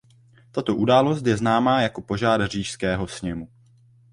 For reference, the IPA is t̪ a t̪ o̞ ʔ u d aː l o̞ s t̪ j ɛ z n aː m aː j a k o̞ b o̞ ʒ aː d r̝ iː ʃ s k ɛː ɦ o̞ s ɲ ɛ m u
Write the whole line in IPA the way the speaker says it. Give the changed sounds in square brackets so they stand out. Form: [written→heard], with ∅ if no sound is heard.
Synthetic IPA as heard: t̪ a t̪ o̞ ʔ u d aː l o̞ s t̪ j ɛ z n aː m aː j a k o̞ [b→p] o̞ ʒ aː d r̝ iː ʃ s k ɛː ɦ o̞ s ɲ ɛ m u